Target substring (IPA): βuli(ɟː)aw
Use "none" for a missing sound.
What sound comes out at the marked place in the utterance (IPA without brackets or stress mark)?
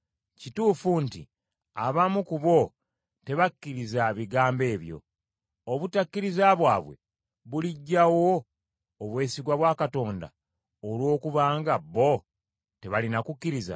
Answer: ɟː